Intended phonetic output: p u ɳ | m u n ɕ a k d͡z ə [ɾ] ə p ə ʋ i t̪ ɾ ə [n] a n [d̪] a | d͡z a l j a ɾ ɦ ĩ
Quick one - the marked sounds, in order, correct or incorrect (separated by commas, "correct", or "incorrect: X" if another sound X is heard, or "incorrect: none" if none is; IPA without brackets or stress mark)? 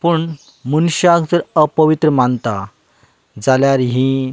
correct, incorrect: m, incorrect: t̪